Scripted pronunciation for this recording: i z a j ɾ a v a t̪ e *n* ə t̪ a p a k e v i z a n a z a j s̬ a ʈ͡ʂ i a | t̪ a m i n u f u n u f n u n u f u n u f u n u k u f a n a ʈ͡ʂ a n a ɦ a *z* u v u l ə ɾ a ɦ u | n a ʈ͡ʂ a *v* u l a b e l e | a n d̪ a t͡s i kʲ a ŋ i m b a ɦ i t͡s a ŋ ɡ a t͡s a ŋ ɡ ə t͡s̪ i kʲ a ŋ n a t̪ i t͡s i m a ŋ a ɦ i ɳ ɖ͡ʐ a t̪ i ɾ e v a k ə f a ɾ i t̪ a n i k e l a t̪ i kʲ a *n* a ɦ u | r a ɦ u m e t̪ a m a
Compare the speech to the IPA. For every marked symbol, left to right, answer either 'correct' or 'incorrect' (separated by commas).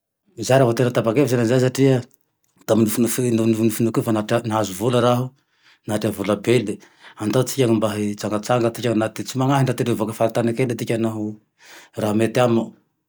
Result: correct, correct, correct, correct